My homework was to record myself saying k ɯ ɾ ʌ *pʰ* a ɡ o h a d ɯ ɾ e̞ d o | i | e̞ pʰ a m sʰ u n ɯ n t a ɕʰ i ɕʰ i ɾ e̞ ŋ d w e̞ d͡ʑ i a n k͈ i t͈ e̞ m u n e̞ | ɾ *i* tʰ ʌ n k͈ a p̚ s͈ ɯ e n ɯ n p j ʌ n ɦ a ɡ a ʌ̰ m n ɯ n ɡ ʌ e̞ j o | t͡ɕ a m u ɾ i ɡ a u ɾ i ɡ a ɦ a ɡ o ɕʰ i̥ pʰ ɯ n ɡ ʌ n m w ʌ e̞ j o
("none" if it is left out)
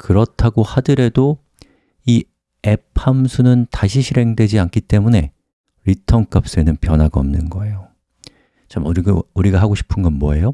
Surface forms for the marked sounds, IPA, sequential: tʰ, i

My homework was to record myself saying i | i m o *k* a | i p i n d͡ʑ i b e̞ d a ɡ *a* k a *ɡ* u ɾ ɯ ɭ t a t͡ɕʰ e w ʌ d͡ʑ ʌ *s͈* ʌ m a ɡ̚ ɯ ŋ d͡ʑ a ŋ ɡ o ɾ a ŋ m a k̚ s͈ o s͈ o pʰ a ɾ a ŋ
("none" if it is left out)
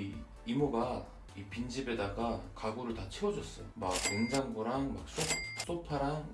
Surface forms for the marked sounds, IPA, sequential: ɡ, a, ɡ, s͈

